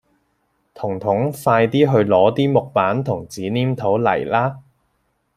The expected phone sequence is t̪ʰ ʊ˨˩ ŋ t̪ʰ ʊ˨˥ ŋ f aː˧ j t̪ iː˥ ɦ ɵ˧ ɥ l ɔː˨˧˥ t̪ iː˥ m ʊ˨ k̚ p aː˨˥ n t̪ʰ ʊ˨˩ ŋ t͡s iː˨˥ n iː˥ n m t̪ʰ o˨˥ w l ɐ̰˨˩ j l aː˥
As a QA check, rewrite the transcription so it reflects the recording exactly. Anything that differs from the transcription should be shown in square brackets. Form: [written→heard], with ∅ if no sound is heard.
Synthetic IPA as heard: t̪ʰ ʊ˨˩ ŋ t̪ʰ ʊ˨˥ ŋ f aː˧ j t̪ iː˥ ɦ ɵ˧ ɥ l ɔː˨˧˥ t̪ iː˥ m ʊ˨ k̚ p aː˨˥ n t̪ʰ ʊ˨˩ ŋ t͡s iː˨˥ n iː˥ [n→∅] m t̪ʰ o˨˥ w l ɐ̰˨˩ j l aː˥